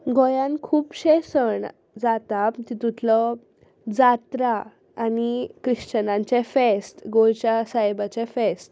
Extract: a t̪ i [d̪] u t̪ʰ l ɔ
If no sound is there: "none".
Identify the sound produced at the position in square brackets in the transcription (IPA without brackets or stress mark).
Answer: t̪